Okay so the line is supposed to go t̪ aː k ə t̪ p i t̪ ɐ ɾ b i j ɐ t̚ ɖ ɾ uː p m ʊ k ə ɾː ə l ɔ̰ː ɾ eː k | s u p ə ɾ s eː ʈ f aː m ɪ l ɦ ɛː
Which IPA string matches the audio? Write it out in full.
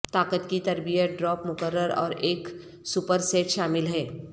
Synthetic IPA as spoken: t̪ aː k ə t̪ k i t̪ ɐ ɾ b i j ə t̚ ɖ ɾ ɔː p m ʊ k ə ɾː ə ɾ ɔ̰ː ɾ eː k | s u p ə ɾ s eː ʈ ʃ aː m ɪ l ɦ ɛː